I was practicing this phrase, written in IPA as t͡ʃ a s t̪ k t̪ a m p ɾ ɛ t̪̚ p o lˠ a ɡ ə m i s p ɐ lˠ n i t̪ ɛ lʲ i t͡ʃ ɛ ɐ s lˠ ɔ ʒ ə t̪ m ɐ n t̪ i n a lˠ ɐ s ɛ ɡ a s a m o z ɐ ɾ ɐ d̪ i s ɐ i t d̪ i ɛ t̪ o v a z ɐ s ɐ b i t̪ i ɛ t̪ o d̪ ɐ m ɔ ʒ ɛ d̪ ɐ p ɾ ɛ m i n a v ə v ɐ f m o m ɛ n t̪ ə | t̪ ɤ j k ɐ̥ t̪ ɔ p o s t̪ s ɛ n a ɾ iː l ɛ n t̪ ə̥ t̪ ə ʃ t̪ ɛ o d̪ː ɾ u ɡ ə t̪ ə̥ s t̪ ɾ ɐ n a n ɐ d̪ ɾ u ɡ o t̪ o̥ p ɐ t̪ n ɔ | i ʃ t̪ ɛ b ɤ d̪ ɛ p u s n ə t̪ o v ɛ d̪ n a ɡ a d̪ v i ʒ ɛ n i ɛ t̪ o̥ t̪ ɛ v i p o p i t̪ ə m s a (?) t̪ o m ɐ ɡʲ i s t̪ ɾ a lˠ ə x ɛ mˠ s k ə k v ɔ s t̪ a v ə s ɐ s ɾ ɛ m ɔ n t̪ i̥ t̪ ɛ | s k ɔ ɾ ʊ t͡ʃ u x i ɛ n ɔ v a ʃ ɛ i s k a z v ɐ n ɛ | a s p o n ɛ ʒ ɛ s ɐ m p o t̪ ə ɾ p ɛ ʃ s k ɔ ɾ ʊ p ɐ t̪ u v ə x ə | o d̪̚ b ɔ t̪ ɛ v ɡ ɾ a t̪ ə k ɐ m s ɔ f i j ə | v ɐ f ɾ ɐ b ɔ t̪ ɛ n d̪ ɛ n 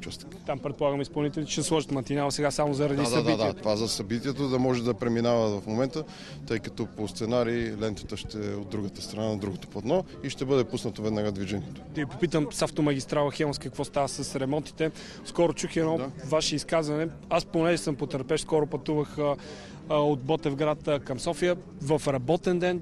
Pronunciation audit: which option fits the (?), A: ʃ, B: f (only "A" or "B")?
B